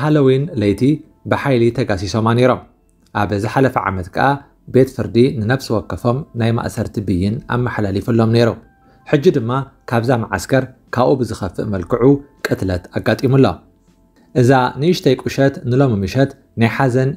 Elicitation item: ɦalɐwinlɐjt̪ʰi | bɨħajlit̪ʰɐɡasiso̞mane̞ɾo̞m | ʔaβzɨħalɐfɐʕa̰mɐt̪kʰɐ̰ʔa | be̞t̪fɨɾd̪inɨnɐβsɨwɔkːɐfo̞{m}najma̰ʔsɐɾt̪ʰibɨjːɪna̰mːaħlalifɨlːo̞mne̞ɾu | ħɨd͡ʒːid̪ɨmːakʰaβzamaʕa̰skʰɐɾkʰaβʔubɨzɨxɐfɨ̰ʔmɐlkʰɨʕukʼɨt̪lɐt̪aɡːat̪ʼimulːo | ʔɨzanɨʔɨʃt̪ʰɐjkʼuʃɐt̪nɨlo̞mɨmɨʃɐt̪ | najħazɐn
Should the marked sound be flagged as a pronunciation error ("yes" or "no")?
no